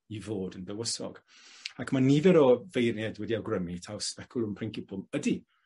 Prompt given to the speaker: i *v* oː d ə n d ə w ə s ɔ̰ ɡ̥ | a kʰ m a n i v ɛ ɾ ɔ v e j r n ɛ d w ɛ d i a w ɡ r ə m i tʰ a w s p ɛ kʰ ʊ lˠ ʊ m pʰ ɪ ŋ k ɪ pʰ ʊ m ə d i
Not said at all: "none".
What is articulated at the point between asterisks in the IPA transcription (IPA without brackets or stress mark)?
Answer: v